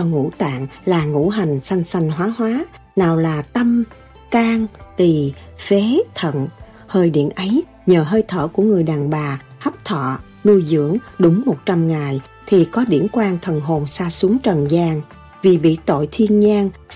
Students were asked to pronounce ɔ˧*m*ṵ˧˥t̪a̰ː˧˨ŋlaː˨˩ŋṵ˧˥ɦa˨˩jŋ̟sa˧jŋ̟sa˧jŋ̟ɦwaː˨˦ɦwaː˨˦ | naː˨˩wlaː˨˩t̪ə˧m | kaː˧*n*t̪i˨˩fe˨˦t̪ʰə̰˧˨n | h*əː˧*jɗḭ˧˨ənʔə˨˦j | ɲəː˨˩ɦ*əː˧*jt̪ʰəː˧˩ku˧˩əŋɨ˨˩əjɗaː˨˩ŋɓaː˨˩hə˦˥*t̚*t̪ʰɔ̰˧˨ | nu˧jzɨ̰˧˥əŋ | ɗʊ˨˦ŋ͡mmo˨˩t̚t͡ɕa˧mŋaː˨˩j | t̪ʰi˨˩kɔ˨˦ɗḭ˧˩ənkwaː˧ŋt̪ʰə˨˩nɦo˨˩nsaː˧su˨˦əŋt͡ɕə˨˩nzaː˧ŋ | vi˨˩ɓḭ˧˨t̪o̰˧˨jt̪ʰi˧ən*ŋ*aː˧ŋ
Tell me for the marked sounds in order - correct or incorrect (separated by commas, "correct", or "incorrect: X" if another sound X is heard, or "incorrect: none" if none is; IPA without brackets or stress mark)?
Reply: incorrect: ŋ, incorrect: ŋ, correct, correct, incorrect: p̚, incorrect: ɲ